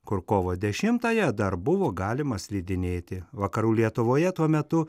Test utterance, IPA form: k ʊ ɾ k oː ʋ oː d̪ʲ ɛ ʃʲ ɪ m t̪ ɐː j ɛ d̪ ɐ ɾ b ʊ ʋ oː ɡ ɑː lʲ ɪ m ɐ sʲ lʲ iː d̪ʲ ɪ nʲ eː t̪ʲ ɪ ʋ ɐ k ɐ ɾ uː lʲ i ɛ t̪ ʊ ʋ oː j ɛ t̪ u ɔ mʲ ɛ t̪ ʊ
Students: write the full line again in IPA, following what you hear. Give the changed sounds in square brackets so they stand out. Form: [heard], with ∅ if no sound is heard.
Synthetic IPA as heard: k ʊ ɾ k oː ʋ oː d̪ʲ ɛ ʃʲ ɪ m t̪ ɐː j ɛ d̪ ɐ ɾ b ʊ ʋ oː ɡ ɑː lʲ ɪ m ɐ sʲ lʲ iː d̪ʲ ɪ nʲ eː t̪ʲ ɪ ʋ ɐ k ɐ ɾ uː lʲ i ɛ t̪ ʊ ʋ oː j ɛ t̪ u ɔ mʲ ɛ t̪ ʊ

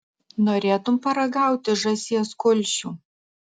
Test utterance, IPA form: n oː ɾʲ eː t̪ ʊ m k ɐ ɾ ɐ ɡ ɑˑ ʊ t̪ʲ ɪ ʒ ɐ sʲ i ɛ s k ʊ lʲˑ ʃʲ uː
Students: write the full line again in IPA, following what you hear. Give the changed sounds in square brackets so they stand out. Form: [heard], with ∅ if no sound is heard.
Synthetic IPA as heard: n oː ɾʲ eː t̪ ʊ m [p] ɐ ɾ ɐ ɡ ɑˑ ʊ t̪ʲ ɪ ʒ ɐ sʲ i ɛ s k ʊ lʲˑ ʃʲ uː

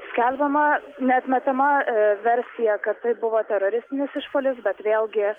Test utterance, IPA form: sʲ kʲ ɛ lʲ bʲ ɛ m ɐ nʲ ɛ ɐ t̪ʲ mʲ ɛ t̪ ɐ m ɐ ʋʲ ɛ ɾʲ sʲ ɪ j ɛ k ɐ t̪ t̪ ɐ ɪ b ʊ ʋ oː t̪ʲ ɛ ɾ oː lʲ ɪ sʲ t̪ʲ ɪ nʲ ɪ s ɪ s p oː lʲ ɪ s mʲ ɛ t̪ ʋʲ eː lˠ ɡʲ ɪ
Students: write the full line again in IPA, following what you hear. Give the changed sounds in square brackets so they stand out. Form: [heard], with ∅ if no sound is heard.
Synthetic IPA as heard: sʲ kʲ ɛ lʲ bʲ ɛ m ɐ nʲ ɛ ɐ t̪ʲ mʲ ɛ t̪ ɐ m ɐ ʋʲ ɛ ɾʲ sʲ ɪ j ɛ k ɐ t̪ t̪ ɐ ɪ b ʊ ʋ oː t̪ʲ ɛ ɾ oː [ɾʲ] ɪ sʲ t̪ʲ ɪ nʲ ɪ s ɪ [ʃ] p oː lʲ ɪ s [bʲ] ɛ t̪ ʋʲ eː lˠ ɡʲ ɪ

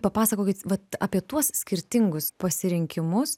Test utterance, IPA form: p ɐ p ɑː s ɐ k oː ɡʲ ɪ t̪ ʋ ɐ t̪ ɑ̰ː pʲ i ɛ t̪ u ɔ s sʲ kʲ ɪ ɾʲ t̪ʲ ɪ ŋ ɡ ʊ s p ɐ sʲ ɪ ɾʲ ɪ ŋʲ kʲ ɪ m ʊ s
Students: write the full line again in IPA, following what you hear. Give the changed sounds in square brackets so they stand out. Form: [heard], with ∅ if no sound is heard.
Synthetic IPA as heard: p ɐ p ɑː s ɐ k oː [kʲ] ɪ t̪ ʋ ɐ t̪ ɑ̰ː pʲ i ɛ t̪ u ɔ s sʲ kʲ ɪ ɾʲ t̪ʲ ɪ ŋ ɡ ʊ s p ɐ sʲ ɪ ɾʲ ɪ ŋʲ kʲ ɪ m ʊ s

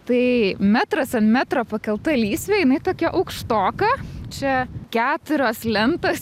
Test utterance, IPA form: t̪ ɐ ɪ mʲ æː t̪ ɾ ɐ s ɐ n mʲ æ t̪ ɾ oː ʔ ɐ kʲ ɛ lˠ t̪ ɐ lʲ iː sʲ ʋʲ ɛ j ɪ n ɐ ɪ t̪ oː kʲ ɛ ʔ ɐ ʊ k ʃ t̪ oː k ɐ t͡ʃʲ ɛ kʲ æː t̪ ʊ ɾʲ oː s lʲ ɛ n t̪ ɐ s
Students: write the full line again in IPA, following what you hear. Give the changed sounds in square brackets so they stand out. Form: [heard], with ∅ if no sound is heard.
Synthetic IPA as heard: t̪ ɐ ɪ mʲ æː t̪ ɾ ɐ s ɐ n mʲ æ t̪ ɾ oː [p] ɐ kʲ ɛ lˠ t̪ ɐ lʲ iː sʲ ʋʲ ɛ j ɪ n ɐ ɪ t̪ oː kʲ ɛ ʔ ɐ ʊ k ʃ t̪ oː k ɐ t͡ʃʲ ɛ kʲ æː t̪ ʊ ɾʲ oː s lʲ ɛ n t̪ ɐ s

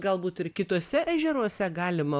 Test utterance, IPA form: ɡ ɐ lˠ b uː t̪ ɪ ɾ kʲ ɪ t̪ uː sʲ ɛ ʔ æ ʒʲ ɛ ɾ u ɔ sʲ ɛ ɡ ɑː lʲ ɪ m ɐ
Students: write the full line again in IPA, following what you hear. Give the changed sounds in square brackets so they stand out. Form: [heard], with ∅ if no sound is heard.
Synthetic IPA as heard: ɡ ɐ lˠ b uː t̪ ɪ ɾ kʲ ɪ t̪ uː sʲ ɛ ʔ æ ʒʲ ɛ ɾ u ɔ sʲ ɛ ɡ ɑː lʲ ɪ m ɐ

